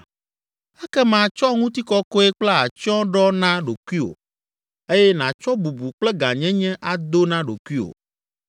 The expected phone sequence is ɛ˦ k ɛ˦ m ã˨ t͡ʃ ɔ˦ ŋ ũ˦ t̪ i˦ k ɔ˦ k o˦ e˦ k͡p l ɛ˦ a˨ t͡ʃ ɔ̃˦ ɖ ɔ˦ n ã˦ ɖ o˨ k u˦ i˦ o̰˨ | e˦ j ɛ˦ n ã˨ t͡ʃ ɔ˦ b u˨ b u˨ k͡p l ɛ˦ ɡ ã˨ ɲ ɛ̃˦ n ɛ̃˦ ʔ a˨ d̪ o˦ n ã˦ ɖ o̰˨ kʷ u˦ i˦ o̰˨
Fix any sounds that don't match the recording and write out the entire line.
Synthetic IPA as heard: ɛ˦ k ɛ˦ m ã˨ t͡ʃ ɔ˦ ŋ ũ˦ t̪ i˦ k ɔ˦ k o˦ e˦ k͡p l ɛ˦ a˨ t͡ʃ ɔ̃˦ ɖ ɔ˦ n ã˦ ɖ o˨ k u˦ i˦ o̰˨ | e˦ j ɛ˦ n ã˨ t͡ʃ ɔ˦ b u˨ b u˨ k͡p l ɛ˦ ɡ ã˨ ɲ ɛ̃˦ ɲ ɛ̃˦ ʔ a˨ d̪ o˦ n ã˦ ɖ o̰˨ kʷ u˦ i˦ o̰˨